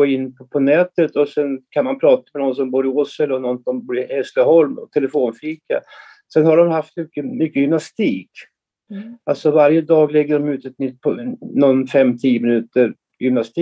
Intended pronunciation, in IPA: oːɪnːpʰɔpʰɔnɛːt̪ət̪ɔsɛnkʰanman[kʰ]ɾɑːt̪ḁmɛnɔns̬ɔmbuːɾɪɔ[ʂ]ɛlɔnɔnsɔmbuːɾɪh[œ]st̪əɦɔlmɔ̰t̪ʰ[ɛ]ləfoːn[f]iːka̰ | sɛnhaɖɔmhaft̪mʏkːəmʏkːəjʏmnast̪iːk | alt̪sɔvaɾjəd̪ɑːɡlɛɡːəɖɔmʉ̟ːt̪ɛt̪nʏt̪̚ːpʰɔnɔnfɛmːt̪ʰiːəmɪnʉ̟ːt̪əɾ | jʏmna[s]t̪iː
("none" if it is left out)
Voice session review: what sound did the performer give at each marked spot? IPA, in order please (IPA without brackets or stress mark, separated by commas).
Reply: pʰ, s, ɛ, ɛ, f, s